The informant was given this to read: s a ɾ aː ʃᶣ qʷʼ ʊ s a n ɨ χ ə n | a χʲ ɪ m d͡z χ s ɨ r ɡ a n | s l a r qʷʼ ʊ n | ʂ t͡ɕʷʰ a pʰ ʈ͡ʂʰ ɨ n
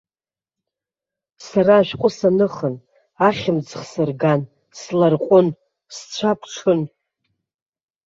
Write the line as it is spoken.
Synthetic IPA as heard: s a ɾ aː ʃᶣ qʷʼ ʊ s a n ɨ χ ə n | a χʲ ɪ m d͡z χ s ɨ r ɡ a n | s l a r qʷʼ ʊ n | s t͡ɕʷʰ a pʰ ʈ͡ʂʰ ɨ n